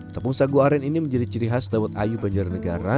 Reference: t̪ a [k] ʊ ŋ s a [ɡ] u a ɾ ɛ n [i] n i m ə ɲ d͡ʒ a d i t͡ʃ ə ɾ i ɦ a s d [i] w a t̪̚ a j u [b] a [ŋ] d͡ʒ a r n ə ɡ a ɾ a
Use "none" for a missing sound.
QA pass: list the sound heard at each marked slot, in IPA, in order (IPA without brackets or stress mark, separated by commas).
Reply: p, ɡ, i, a, b, ɲ